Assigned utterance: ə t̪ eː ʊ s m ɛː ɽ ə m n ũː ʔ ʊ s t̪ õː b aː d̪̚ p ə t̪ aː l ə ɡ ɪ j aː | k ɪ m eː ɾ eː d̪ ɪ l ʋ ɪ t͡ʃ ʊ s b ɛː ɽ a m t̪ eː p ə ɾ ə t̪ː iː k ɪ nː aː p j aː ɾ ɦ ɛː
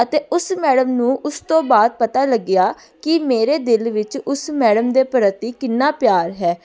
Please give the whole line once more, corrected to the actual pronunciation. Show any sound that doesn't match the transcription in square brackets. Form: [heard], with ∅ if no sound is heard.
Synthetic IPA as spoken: ə t̪ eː ʊ s m ɛː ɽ ə m n ũː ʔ ʊ s t̪ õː b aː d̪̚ p ə t̪ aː l ə ɡ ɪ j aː | k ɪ m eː ɾ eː d̪ ɪ l ʋ ɪ t͡ʃ ʊ s [m] ɛː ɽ [ə] m [d̪] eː p ə ɾ ə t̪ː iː k ɪ nː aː p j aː ɾ ɦ ɛː